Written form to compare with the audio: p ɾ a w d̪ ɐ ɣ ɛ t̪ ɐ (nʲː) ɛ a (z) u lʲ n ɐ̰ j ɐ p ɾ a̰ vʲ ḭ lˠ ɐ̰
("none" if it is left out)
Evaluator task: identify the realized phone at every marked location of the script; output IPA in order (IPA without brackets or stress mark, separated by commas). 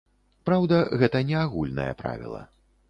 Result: nʲ, ɣ